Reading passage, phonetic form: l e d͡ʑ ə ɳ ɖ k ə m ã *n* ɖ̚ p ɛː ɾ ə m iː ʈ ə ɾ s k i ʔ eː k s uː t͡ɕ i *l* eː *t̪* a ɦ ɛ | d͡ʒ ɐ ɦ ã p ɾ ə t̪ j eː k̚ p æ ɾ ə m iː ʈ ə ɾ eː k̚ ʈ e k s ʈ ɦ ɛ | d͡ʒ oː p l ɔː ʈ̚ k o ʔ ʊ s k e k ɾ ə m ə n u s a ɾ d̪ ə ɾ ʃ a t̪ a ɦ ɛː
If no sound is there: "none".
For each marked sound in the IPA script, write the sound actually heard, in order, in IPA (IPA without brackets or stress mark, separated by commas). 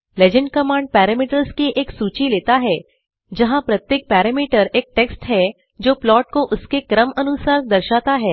ɳ, l, t̪